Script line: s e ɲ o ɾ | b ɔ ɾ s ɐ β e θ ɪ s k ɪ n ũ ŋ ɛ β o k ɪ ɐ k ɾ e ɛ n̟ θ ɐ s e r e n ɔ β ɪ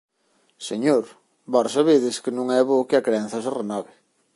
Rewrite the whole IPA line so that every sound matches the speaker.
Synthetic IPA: s e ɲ o ɾ | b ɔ ɾ s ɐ β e ð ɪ s k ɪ n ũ ŋ ɛ β o k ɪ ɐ k ɾ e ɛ n̟ θ ɐ s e r e n ɔ β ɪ